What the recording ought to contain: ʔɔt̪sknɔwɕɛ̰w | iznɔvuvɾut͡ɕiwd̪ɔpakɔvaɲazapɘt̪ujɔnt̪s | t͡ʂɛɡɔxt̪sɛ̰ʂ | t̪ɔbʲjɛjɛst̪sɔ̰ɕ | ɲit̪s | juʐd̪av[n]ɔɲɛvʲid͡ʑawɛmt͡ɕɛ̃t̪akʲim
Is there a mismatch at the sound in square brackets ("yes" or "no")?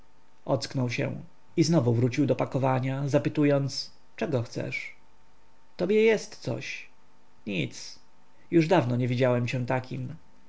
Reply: no